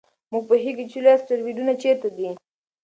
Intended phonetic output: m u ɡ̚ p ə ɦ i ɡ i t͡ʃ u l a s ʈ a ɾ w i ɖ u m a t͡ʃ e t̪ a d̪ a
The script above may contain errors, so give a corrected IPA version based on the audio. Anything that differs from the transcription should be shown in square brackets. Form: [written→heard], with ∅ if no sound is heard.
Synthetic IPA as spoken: m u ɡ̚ p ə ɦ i ɡ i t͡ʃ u l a s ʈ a ɾ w i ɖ u [m→n] a t͡ʃ e t̪ a d̪ [a→i]